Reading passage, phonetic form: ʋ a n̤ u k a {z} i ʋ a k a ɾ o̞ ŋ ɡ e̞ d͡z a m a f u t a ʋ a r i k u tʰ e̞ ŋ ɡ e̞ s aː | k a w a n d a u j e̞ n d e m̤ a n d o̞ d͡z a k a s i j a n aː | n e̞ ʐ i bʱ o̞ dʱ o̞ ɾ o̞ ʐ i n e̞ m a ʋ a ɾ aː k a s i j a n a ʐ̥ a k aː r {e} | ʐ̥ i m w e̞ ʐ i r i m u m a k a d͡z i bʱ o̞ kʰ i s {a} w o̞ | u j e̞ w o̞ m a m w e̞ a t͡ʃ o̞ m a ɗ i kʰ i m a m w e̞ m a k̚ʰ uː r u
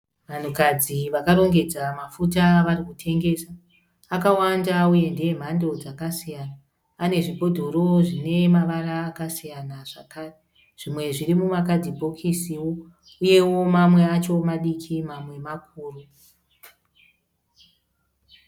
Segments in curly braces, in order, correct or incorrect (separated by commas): incorrect, correct, incorrect